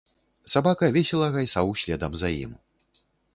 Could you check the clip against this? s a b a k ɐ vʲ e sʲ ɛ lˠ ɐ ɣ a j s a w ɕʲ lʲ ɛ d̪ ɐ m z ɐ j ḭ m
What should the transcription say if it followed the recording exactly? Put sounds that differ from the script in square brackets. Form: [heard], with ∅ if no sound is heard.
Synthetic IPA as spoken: s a b a k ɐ vʲ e sʲ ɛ lˠ ɐ ɣ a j s a w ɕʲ lʲ ɛ d̪ ɐ m z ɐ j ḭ m